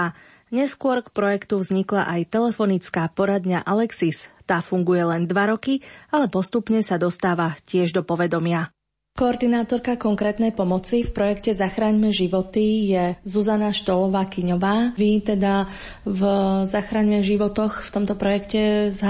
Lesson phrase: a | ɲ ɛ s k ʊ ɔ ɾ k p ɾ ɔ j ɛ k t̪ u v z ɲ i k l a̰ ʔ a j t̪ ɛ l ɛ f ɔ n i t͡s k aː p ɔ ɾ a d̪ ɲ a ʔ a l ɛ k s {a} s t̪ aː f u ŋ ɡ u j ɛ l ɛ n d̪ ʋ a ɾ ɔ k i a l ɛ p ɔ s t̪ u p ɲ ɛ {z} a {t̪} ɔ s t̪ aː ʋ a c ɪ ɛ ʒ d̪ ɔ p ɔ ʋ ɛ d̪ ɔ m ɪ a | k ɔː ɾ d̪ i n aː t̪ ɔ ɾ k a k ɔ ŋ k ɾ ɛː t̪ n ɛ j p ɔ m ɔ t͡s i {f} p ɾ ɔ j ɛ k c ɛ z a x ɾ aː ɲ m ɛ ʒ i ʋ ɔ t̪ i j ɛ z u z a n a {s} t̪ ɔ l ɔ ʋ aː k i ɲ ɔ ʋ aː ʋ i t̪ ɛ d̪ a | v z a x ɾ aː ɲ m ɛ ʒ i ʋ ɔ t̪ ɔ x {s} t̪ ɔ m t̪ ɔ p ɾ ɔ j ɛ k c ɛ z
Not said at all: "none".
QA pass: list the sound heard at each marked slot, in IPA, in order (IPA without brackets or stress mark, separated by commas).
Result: i, s, d̪, f, ʃ, f